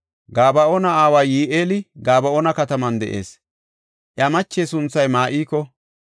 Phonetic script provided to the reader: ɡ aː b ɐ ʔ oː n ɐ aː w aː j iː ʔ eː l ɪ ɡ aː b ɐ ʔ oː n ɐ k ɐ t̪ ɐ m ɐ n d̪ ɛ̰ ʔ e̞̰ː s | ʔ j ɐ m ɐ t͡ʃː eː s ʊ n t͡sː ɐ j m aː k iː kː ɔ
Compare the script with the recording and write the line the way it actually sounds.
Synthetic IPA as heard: ɡ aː b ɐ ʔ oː n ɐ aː w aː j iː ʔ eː l ɪ ɡ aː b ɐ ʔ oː n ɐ k ɐ t̪ ɐ m ɐ n d̪ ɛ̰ ʔ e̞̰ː s | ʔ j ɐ m ɐ t͡ʃː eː s ʊ n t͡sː ɐ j m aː ʔ iː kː ɔ